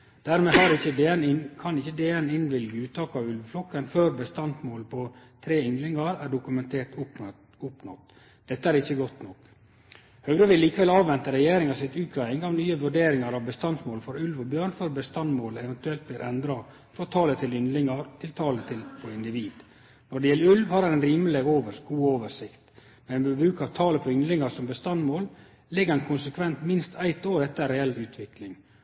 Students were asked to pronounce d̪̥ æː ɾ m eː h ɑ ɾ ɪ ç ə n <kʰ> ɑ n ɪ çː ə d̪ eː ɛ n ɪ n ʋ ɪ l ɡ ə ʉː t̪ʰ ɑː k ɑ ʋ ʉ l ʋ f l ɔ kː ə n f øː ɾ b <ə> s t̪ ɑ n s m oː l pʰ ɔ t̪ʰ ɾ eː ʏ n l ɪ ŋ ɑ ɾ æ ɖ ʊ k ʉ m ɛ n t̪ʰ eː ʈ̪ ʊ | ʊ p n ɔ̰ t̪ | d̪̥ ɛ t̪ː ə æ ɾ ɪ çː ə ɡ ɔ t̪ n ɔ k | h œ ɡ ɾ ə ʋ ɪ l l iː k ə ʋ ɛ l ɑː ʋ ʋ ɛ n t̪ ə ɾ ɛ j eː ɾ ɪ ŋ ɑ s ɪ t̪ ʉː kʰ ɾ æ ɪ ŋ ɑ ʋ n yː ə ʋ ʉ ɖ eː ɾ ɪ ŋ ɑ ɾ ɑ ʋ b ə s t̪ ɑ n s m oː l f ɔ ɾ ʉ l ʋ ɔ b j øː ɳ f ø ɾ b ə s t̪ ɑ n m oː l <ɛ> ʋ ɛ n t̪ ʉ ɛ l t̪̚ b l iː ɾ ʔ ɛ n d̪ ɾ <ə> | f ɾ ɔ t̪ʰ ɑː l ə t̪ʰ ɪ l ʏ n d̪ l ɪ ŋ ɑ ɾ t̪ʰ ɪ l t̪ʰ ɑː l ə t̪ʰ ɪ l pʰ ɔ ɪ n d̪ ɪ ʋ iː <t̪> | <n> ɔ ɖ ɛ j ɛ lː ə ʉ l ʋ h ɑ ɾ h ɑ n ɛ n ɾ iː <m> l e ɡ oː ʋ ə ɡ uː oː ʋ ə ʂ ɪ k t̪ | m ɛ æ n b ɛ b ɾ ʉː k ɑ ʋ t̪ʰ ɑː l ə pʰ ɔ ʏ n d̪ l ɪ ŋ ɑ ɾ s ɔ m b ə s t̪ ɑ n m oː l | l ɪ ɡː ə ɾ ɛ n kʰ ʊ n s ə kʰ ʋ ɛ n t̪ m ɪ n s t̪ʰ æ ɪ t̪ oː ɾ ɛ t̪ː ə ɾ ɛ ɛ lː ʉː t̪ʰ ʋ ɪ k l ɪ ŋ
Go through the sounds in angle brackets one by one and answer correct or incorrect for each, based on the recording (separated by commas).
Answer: correct, correct, correct, incorrect, incorrect, correct, correct